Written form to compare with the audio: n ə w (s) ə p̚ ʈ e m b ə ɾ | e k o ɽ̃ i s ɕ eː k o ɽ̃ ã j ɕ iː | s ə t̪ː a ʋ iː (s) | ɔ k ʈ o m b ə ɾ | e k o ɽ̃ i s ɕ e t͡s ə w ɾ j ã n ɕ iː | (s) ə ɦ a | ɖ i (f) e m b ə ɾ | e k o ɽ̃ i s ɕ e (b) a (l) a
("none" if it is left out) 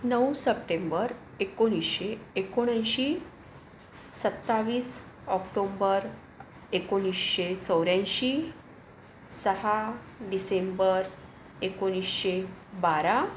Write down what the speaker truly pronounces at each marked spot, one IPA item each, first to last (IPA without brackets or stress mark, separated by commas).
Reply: s, s, s, s, b, ɾ